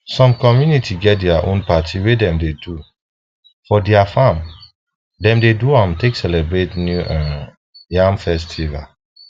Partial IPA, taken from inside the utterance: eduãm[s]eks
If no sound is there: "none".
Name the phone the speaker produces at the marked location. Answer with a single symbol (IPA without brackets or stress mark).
t